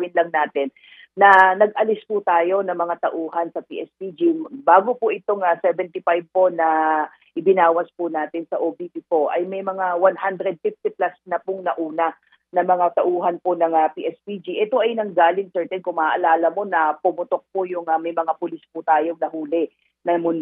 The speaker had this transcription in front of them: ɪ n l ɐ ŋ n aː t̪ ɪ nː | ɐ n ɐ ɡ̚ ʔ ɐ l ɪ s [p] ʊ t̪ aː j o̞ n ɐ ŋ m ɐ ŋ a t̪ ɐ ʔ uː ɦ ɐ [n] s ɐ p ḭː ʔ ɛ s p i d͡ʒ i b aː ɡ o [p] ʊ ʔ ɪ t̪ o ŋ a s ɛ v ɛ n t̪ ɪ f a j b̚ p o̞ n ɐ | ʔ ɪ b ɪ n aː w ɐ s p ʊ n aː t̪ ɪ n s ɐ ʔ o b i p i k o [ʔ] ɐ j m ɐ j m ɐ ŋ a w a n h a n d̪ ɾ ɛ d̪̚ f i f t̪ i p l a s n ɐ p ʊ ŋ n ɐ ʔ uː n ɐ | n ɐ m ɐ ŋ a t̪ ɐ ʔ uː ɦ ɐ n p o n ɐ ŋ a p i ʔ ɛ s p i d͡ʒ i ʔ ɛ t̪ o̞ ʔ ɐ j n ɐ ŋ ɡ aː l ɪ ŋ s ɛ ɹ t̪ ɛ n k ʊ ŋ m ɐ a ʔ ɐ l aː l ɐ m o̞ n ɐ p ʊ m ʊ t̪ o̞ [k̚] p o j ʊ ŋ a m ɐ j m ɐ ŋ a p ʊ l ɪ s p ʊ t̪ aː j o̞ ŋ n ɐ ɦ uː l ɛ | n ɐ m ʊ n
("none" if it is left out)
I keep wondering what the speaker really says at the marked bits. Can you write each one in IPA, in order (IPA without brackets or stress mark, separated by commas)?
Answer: p, n, p, ʔ, k̚